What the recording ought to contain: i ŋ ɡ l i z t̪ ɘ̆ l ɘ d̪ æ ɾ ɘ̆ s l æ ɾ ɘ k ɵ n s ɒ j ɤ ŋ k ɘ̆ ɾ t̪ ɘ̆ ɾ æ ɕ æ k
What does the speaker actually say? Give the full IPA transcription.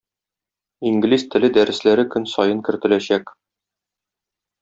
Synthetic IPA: i ŋ ɡ l i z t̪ ɘ̆ l ɘ d̪ æ ɾ ɘ̆ s l æ ɾ ɘ k ɵ n s ɒ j ɤ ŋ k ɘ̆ ɾ t̪ ɘ̆ l æ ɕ æ k